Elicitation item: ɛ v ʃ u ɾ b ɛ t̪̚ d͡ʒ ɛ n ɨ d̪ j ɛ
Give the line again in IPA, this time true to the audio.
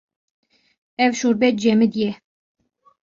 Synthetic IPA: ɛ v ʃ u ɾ b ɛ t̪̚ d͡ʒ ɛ m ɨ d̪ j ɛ